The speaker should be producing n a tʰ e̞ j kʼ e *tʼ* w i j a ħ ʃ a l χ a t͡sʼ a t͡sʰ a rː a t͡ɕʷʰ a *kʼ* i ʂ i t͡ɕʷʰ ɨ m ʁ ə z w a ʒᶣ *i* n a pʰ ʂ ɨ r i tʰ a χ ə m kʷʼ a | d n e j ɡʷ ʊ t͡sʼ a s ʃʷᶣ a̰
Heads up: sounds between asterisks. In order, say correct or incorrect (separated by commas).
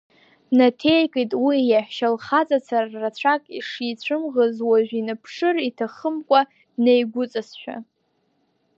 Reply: correct, correct, correct